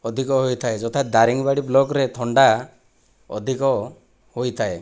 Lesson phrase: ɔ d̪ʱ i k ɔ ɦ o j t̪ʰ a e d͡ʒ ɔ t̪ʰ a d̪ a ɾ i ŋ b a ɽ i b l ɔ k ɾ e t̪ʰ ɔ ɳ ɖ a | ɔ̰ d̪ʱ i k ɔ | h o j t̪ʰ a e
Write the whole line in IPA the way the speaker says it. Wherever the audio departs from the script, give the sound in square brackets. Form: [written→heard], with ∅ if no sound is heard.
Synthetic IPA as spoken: ɔ d̪ʱ i k ɔ ɦ o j t̪ʰ a e d͡ʒ ɔ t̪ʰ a d̪ a ɾ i ŋ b a ɽ i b l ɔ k ɾ e t̪ʰ ɔ ɳ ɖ a | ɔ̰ d̪ʱ i k ɔ | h o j t̪ʰ a e

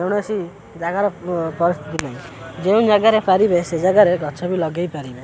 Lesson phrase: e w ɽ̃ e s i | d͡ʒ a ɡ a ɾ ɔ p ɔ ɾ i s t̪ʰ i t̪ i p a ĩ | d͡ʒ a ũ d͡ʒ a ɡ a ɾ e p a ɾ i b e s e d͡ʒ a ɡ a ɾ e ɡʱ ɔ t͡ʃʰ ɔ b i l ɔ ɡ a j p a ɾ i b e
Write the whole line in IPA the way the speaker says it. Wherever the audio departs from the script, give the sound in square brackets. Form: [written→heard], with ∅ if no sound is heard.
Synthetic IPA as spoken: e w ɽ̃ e s i | d͡ʒ a ɡ a ɾ ɔ p ɔ ɾ i s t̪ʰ i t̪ i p a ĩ | d͡ʒ [a→e] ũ d͡ʒ a ɡ a ɾ e p a ɾ i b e s e d͡ʒ a ɡ a ɾ e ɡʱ ɔ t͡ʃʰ ɔ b i l ɔ ɡ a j p a ɾ i b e

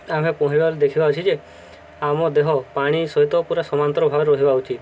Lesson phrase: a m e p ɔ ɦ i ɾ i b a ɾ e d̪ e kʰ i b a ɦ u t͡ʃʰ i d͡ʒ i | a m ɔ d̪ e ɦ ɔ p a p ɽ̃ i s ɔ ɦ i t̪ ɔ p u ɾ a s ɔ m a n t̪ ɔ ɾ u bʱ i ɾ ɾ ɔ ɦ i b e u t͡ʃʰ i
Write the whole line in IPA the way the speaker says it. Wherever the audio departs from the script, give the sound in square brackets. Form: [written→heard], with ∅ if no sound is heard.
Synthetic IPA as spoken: a m e p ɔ ɦ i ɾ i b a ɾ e d̪ e kʰ i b a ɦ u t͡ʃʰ i d͡ʒ [i→e] | a m ɔ d̪ e ɦ ɔ p a [p→∅] ɽ̃ i s ɔ ɦ i t̪ ɔ p u ɾ a s ɔ m a n t̪ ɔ ɾ [u→ɔ] bʱ [i→a] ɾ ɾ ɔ ɦ i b [e→a] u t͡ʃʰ i

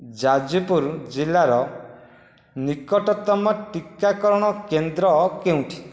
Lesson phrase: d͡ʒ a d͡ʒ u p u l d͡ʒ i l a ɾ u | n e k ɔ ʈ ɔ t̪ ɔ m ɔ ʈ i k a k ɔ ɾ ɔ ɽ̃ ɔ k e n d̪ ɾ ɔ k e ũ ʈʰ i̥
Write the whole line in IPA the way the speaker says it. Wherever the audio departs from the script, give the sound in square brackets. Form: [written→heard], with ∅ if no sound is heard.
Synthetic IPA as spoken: d͡ʒ a d͡ʒ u p u [l→ɾ] d͡ʒ i l a ɾ [u→ɔ] | n [e→i] k ɔ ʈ ɔ t̪ ɔ m ɔ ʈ i k a k ɔ ɾ ɔ ɽ̃ ɔ k e n d̪ ɾ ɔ k e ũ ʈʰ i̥

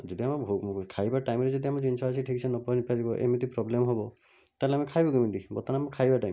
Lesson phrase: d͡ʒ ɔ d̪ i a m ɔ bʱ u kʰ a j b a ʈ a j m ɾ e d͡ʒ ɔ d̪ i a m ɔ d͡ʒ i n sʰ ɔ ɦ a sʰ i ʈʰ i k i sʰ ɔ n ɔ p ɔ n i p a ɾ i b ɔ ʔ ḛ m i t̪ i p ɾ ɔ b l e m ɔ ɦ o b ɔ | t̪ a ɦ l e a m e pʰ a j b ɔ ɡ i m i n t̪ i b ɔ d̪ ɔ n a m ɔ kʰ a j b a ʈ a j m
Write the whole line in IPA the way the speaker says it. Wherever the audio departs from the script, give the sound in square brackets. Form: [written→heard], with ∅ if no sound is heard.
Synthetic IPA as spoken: d͡ʒ ɔ d̪ i a m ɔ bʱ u kʰ a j b a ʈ a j m ɾ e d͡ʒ ɔ d̪ i a m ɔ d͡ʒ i n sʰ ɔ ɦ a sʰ i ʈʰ i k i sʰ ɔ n ɔ p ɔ n i p a ɾ i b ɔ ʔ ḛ m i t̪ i p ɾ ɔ b l e m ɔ ɦ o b ɔ | t̪ a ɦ l e a m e [pʰ→kʰ] a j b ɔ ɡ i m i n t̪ i b ɔ [d̪→t̪] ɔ n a m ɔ kʰ a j b a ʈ a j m

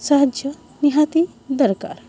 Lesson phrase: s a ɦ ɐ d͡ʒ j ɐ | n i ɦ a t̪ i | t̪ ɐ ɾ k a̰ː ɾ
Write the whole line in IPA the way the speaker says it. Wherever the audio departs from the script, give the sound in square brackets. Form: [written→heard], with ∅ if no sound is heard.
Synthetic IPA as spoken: s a ɦ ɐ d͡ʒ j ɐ | n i ɦ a t̪ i | [t̪→d̪] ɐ ɾ k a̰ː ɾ

